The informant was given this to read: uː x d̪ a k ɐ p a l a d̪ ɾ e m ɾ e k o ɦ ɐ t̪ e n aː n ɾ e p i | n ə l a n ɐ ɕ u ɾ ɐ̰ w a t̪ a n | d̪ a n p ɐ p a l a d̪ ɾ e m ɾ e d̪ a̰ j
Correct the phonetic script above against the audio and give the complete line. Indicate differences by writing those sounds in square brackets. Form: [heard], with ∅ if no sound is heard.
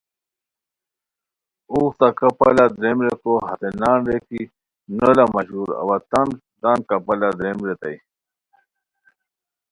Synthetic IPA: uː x [t̪] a k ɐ p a l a d̪ ɾ e m ɾ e k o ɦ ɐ t̪ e n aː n ɾ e [k] i | n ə l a [m] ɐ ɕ u ɾ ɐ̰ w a t̪ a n | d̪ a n [k] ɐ p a l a d̪ ɾ e m ɾ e [t̪] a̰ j